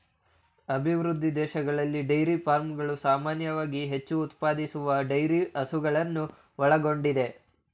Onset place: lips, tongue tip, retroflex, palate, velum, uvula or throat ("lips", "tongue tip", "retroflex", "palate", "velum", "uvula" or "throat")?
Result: lips